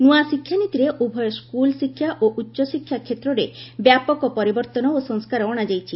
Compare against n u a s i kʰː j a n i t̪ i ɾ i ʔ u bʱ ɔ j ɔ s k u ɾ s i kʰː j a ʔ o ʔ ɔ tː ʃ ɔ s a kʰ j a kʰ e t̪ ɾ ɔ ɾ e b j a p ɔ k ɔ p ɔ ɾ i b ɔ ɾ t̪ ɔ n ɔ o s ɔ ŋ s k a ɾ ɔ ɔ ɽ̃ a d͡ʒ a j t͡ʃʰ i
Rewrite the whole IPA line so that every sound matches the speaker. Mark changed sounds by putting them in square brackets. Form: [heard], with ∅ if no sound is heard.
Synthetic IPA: n u a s i kʰː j a n i t̪ i ɾ [e] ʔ u bʱ ɔ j ɔ s k u [l] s i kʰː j a ʔ o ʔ [u] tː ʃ ɔ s [i] kʰ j a kʰ e t̪ ɾ ɔ ɾ e b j a p ɔ k ɔ p ɔ ɾ i b ɔ ɾ t̪ ɔ n ɔ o s ɔ ŋ s k a ɾ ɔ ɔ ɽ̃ a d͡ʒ a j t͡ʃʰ i